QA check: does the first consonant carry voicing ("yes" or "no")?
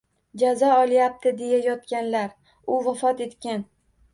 yes